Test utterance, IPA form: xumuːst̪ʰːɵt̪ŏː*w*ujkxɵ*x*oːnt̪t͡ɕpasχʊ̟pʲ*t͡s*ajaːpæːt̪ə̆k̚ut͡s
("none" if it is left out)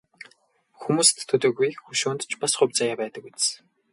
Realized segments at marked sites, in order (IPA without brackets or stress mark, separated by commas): ɣ, ʃ, t͡s